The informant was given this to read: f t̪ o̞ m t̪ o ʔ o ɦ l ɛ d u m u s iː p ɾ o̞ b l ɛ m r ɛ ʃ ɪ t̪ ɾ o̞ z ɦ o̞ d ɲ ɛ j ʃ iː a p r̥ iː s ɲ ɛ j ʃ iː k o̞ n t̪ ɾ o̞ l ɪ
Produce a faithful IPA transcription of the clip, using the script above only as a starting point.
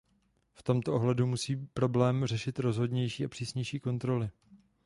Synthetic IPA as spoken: f t̪ o̞ m t̪ o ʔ o ɦ l ɛ d u m u s iː p ɾ o̞ b l ɛː m r ɛ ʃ ɪ t̪ ɾ o̞ z ɦ o̞ d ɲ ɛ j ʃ iː a p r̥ iː s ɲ ɛ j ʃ iː k o̞ n t̪ ɾ o̞ l ɪ